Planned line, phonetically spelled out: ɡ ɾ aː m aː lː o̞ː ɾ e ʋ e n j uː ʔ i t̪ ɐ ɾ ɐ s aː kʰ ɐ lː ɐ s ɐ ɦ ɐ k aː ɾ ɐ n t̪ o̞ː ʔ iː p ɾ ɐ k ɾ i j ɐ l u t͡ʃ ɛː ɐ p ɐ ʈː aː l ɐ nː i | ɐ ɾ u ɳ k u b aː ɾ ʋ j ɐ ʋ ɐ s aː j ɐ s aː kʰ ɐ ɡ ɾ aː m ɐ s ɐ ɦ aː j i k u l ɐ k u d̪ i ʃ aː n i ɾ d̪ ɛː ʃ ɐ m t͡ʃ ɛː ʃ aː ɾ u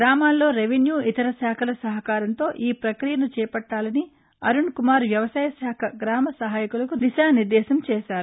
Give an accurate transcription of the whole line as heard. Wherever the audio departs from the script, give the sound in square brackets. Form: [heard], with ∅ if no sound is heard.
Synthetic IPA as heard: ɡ ɾ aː m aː lː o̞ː ɾ e ʋ e n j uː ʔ i t̪ ɐ ɾ ɐ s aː kʰ ɐ [l] ɐ s ɐ ɦ ɐ k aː ɾ ɐ n t̪ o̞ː ʔ iː p ɾ ɐ k ɾ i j ɐ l u t͡ʃ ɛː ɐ p ɐ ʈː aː l ɐ [n] i | ɐ ɾ u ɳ k u [m] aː ɾ ʋ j ɐ ʋ ɐ s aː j ɐ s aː kʰ ɐ ɡ ɾ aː m ɐ s ɐ ɦ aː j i k u l ɐ k u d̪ i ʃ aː n i ɾ d̪ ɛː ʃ ɐ m t͡ʃ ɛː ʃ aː ɾ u